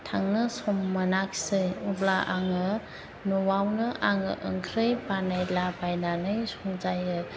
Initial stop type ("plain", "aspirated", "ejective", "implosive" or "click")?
aspirated